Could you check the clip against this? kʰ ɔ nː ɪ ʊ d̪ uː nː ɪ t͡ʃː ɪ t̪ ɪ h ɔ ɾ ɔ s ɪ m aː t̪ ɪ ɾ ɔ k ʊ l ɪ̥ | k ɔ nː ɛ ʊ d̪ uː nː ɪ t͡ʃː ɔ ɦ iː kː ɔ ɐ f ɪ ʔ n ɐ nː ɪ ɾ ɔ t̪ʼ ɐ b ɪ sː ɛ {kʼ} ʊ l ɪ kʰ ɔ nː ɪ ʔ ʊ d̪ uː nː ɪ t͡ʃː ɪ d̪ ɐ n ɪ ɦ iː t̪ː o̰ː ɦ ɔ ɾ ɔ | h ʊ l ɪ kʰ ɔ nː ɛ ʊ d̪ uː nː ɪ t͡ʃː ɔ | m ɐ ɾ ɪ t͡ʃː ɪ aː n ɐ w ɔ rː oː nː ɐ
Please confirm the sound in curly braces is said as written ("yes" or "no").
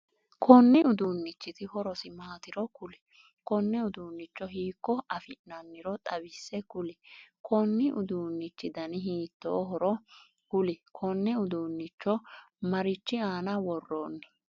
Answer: no